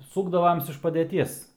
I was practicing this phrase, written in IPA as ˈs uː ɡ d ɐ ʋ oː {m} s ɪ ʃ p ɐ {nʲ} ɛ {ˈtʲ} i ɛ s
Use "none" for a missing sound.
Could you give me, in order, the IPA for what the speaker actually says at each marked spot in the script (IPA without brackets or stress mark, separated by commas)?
m, dʲ, tʲ